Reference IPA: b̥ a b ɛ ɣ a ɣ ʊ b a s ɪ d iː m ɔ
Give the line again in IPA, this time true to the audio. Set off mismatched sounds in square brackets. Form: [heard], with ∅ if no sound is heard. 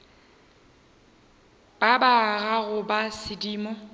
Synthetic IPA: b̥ a b [a] ɣ a ɣ ʊ b a s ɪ d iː m ɔ